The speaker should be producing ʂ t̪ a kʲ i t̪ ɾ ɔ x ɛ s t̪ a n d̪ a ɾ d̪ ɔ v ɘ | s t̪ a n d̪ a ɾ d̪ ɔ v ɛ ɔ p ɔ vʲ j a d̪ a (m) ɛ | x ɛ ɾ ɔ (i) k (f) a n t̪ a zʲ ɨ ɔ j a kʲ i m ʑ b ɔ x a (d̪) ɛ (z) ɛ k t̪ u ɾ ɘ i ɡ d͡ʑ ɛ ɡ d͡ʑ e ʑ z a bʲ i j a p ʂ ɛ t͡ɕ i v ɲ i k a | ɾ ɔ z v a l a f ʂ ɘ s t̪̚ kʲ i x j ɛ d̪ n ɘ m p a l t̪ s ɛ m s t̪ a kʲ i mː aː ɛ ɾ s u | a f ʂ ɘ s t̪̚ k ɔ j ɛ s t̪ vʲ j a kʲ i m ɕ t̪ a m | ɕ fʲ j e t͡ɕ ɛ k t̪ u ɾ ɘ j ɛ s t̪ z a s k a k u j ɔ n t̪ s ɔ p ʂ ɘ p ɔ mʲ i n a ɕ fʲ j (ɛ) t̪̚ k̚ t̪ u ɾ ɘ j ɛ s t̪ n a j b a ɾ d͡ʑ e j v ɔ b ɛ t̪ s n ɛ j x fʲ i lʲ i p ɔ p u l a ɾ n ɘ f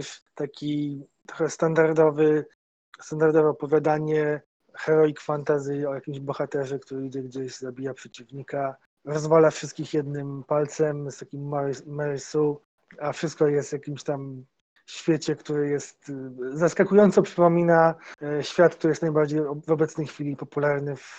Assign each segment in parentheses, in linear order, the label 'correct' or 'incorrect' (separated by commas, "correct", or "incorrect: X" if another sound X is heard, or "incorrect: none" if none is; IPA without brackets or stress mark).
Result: incorrect: ɲ, correct, correct, incorrect: t̪, incorrect: ʐ, incorrect: a